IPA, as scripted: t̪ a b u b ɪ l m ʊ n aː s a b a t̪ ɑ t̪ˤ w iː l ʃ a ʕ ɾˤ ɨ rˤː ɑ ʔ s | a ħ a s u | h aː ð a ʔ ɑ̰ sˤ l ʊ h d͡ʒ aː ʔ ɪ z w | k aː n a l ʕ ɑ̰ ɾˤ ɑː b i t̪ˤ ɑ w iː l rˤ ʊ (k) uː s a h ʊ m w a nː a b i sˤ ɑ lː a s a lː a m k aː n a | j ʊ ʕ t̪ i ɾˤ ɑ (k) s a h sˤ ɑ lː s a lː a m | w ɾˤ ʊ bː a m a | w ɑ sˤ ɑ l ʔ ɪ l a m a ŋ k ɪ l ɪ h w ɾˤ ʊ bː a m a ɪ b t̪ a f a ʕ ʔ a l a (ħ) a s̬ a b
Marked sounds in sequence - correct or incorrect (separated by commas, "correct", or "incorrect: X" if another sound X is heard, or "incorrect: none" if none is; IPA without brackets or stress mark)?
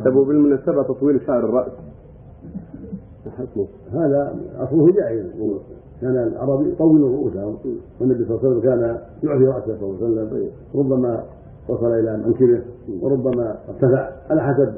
incorrect: ʔ, incorrect: ʔ, correct